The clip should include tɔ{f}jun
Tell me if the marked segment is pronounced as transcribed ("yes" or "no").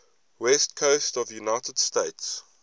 no